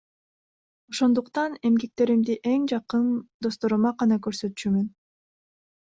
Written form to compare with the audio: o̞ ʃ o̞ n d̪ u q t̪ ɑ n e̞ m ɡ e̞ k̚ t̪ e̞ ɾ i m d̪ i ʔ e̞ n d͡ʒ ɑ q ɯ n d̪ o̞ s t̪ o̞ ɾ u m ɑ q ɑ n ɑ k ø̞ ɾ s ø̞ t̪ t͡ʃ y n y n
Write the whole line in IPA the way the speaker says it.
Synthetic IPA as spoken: o̞ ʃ o̞ n d̪ u q t̪ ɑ n e̞ m ɡ e̞ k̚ t̪ e̞ ɾ i m d̪ i ʔ e̞ ŋ d͡ʒ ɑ q ɯ n d̪ o̞ s t̪ o̞ ɾ u m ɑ q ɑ n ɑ k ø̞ ɾ s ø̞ t̪ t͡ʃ y m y n

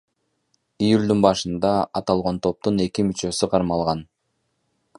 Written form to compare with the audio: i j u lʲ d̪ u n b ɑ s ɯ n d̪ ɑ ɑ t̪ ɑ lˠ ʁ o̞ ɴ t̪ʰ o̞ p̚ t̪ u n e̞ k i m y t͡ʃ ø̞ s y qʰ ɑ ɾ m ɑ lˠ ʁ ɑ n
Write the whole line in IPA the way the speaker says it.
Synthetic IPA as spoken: i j u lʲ d̪ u n b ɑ ʃ ɯ n d̪ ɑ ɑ t̪ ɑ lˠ ʁ o̞ n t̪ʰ o̞ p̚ t̪ u n e̞ k i m y t͡ʃ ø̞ s y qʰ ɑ ɾ m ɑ lˠ ʁ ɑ n

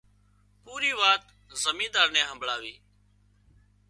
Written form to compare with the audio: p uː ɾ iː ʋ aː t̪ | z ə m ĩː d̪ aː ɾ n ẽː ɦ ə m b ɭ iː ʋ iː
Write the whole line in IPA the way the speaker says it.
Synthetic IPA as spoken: p uː ɾ iː ʋ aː t̪ | z ə m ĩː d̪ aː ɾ n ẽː ɦ ə m b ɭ aː ʋ iː

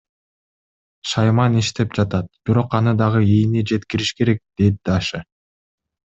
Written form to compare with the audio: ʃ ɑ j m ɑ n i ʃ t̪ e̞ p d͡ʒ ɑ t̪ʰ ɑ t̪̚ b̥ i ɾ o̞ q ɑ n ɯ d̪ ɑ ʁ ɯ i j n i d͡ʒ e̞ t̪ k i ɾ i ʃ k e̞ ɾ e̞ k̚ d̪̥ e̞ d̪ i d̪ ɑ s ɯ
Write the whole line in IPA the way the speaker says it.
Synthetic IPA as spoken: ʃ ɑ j m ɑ n i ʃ t̪ e̞ p d͡ʒ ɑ t̪ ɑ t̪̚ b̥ i ɾ o̞ q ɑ n ɯ d̪ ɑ ʁ ɯ i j n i d͡ʒ e̞ t̪ k i ɾ i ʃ k e̞ ɾ e̞ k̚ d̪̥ e̞ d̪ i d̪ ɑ ʃ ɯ

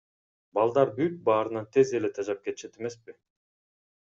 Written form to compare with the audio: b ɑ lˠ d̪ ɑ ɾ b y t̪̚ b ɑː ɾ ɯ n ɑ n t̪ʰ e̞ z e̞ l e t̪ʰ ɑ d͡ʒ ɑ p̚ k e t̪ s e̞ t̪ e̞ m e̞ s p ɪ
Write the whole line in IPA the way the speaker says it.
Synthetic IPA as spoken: b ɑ lˠ d̪ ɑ ɾ b y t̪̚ b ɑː ɾ ɯ n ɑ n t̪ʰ e̞ z e̞ l e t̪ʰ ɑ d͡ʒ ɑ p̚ k e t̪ ʃ e̞ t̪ e̞ m e̞ s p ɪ

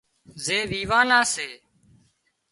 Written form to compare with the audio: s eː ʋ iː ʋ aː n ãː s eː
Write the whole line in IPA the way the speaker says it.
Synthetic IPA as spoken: z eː ʋ iː ʋ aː n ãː s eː

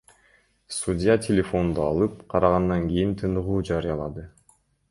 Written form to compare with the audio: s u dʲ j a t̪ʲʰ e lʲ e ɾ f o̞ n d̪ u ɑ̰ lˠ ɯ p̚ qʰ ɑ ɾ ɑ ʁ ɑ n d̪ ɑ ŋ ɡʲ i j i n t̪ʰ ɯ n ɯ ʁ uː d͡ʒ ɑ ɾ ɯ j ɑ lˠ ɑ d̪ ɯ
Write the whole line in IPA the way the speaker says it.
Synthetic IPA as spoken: s u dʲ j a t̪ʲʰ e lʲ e f o̞ n d̪ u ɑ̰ lˠ ɯ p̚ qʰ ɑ ɾ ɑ ʁ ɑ n d̪ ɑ ŋ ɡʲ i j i n t̪ʰ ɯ n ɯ ʁ uː d͡ʒ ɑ ɾ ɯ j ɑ lˠ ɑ d̪ ɯ

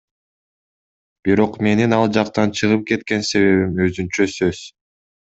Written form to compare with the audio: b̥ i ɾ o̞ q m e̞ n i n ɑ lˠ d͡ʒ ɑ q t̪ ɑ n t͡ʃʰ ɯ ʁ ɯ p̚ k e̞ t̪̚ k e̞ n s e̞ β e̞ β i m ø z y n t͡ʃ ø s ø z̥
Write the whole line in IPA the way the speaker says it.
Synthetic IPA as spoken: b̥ i ɾ o̞ q m e̞ n i n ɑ lˠ d͡ʒ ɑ q t̪ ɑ n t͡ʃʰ ɯ ʁ ɯ p̚ k e̞ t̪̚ k e̞ n s e̞ β e̞ β i m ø z y n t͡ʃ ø s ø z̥

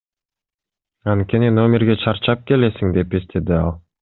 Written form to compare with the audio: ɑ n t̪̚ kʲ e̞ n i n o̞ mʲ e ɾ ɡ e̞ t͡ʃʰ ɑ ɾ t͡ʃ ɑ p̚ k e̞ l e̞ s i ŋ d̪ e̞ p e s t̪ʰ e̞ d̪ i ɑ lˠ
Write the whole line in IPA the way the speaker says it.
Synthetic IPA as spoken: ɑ n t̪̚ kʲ e̞ n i n o̞ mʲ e ɾ ɡ e̞ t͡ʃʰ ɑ ɾ t͡ʃ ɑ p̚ k e̞ l e̞ s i ŋ d̪ e̞ p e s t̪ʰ e̞ d̪ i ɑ lˠ

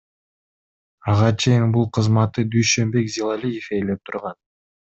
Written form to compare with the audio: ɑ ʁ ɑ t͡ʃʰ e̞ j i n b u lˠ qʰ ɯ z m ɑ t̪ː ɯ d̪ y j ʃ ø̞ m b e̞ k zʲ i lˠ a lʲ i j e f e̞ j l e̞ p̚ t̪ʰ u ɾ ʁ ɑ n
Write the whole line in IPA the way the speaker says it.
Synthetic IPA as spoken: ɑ ʁ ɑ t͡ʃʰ e̞ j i n b u lˠ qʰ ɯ z m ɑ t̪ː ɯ d̪ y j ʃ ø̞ m b e̞ k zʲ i lˠ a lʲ i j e f e̞ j l e̞ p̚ t̪ʰ u ɾ ʁ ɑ n

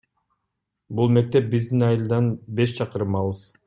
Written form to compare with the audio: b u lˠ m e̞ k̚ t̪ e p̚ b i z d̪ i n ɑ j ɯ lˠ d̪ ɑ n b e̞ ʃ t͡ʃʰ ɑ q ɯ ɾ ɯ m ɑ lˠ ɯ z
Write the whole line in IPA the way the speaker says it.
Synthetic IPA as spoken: b u lˠ m e̞ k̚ t̪ e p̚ b i z d̪ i n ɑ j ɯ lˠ d̪ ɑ n b e̞ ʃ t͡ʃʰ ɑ q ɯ ɾ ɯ m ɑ lˠ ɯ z

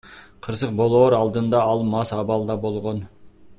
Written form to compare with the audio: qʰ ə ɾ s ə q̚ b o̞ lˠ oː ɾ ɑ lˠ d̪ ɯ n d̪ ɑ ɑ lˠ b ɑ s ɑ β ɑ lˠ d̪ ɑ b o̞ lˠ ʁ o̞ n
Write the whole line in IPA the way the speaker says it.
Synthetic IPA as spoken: qʰ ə ɾ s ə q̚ b o̞ lˠ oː ɾ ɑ lˠ d̪ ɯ n d̪ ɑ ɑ lˠ m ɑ s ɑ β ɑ lˠ d̪ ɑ b o̞ lˠ ʁ o̞ n

